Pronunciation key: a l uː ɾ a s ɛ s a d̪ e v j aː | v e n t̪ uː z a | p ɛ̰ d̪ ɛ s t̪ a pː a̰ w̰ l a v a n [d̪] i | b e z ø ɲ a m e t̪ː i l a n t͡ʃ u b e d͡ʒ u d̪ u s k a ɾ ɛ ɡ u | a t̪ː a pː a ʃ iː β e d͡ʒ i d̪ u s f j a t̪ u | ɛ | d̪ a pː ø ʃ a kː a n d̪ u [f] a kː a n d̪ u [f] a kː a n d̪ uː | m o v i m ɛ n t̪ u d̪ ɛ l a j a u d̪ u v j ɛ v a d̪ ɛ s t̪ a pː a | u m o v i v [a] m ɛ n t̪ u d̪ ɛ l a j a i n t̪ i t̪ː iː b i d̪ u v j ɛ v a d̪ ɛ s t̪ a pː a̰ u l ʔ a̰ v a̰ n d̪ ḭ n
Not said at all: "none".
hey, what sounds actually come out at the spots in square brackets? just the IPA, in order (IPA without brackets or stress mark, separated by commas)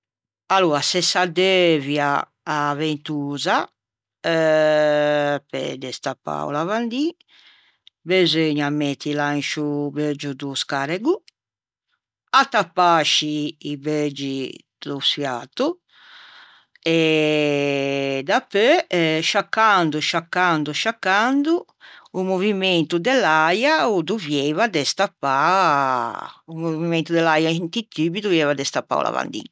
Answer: d̪, ʃ, ʃ, i